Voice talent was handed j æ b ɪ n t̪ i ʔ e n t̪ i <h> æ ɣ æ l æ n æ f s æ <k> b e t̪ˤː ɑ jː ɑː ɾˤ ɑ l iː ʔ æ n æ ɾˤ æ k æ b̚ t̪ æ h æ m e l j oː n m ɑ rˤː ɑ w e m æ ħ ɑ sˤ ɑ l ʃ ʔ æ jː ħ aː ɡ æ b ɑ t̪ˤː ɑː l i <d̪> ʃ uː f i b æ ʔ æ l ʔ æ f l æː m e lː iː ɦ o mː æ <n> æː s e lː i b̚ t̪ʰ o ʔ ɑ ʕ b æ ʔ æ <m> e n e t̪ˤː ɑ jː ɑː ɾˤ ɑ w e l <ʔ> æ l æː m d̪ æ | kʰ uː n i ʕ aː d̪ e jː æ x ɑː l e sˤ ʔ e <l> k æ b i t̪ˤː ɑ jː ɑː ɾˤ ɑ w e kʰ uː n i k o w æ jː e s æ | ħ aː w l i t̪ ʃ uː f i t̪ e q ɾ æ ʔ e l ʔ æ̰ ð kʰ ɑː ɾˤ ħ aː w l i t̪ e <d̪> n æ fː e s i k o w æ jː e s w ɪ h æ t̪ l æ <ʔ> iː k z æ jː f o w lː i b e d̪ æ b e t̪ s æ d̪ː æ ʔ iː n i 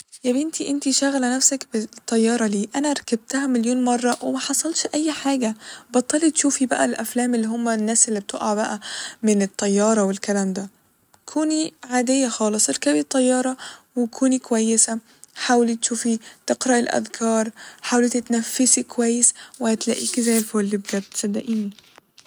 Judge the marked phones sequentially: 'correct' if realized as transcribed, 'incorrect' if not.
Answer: incorrect: ʃ, correct, incorrect: t̪, incorrect: nː, correct, incorrect: k, incorrect: ɾ, incorrect: t̪, correct

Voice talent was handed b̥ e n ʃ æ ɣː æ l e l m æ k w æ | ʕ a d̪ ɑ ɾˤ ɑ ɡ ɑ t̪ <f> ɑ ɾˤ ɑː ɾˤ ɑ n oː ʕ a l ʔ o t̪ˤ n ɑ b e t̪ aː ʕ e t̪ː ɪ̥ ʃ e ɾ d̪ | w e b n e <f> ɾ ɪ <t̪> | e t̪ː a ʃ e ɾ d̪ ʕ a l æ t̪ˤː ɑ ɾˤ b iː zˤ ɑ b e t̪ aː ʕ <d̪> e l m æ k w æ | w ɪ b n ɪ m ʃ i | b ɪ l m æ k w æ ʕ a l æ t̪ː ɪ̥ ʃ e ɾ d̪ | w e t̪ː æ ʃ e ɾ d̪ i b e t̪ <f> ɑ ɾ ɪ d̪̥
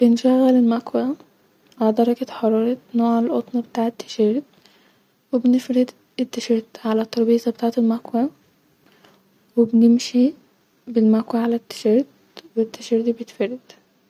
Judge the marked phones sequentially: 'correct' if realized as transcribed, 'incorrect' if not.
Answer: incorrect: ħ, correct, incorrect: d̪, incorrect: t̪, correct

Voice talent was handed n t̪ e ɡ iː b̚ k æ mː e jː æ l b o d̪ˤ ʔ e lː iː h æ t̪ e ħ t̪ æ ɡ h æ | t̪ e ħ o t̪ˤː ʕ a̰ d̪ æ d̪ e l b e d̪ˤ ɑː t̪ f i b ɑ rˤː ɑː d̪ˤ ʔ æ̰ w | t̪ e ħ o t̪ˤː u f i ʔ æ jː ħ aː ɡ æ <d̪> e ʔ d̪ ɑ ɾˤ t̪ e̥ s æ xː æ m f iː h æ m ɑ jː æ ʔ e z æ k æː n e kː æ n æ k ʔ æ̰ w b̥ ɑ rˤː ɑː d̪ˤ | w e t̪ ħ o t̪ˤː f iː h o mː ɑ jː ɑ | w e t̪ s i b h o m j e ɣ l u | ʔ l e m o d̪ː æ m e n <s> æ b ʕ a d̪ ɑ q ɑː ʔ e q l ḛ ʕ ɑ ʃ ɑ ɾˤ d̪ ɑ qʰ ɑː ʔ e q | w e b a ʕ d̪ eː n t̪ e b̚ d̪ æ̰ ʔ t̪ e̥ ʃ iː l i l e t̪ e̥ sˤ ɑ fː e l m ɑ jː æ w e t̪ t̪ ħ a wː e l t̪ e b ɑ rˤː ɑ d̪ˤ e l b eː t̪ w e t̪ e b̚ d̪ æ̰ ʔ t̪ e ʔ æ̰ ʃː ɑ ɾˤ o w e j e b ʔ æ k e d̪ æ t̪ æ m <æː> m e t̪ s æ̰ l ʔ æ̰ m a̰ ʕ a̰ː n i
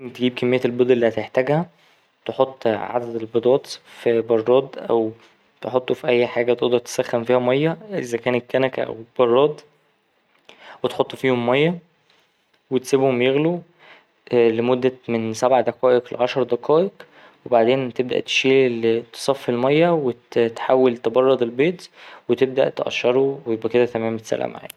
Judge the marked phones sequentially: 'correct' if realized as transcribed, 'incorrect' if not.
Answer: incorrect: t̪, correct, correct

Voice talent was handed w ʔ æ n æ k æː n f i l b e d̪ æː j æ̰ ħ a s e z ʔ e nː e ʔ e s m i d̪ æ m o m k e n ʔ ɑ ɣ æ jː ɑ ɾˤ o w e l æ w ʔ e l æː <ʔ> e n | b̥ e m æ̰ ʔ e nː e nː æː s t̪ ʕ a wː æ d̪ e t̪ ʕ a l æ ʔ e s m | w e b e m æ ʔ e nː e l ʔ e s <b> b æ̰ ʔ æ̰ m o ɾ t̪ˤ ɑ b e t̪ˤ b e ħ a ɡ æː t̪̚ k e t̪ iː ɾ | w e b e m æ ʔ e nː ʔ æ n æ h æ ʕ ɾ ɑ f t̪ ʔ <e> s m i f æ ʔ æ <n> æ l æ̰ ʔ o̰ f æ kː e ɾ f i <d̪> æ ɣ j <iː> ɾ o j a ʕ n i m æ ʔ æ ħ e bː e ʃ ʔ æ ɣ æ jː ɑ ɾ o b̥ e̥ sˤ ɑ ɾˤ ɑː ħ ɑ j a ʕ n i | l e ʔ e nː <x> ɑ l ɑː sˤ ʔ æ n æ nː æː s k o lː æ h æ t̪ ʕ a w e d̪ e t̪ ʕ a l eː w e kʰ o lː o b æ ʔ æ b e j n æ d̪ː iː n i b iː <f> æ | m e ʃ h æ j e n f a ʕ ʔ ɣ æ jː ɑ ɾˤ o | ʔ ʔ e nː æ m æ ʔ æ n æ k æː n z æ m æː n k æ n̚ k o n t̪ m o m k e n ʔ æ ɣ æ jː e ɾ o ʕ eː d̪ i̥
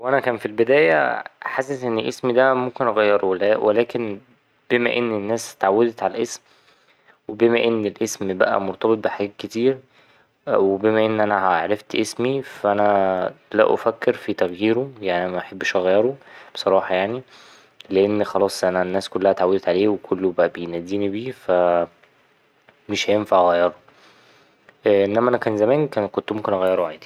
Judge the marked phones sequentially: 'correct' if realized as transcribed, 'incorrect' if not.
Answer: incorrect: k, incorrect: m, correct, correct, incorrect: t̪, correct, correct, correct

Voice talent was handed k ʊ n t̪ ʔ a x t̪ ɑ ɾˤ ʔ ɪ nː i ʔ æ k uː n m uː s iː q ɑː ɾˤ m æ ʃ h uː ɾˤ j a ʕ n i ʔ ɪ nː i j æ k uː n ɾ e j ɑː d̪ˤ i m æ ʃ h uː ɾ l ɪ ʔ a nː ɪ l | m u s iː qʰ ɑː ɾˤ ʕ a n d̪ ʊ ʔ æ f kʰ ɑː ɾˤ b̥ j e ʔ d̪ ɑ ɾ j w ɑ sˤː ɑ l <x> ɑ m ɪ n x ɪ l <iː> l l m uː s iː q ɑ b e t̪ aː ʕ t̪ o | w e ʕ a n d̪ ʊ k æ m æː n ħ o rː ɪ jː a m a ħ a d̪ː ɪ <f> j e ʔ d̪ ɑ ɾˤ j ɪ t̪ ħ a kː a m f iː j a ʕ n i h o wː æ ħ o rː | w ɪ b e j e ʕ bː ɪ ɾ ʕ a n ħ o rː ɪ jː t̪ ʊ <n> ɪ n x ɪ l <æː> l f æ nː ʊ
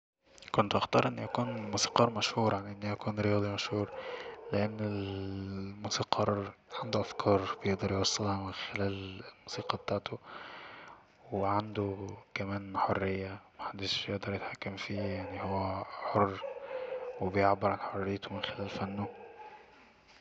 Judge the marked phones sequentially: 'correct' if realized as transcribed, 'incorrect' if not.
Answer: incorrect: h, incorrect: æː, incorrect: ʃ, incorrect: m, correct

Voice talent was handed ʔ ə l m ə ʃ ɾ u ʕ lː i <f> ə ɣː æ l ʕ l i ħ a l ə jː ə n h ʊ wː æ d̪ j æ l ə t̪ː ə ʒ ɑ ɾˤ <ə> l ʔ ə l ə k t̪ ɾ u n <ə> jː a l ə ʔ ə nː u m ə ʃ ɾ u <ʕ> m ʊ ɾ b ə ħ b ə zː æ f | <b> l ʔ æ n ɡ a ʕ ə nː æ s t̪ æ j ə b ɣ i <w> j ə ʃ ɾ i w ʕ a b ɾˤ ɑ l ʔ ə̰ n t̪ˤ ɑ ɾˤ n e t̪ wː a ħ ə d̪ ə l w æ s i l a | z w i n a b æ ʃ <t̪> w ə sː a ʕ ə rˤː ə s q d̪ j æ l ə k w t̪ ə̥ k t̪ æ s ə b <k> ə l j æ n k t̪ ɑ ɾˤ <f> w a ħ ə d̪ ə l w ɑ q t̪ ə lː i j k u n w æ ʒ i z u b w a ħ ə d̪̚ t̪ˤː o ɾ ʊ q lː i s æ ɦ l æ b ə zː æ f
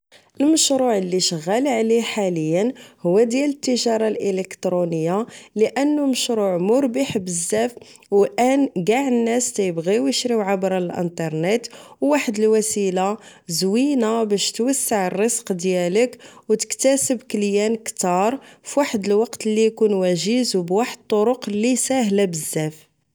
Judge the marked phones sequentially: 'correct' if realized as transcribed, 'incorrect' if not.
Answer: incorrect: ʃ, incorrect: ɑ, correct, correct, incorrect: w, correct, correct, correct, correct

